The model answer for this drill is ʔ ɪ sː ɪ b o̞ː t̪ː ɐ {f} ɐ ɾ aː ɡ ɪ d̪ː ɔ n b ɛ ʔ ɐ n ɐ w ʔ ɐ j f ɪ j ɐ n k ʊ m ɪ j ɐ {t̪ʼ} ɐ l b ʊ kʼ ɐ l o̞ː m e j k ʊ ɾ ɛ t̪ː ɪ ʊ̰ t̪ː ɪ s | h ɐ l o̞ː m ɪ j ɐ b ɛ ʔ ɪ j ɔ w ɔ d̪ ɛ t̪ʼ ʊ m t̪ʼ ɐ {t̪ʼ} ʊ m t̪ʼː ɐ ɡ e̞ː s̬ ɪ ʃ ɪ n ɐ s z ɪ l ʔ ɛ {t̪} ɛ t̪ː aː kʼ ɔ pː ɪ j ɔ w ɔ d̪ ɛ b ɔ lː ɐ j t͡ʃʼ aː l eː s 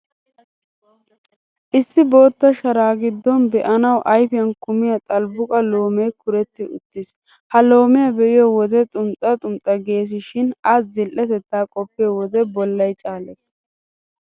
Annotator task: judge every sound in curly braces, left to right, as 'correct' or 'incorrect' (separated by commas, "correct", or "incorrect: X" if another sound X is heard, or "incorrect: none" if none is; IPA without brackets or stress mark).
incorrect: ʃ, correct, correct, correct